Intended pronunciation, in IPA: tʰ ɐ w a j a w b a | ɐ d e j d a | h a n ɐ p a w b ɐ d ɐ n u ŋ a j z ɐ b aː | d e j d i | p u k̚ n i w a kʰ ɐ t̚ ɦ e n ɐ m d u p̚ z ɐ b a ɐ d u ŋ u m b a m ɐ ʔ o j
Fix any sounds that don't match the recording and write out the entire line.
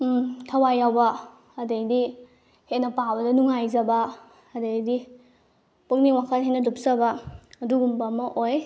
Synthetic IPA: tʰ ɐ w a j a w b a | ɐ d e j d i | h e n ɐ p a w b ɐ d ɐ n u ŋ a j z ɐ b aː | d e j d i | p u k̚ n i w a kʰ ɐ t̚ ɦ e n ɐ d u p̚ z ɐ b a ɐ d u ɡ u m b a m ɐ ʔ o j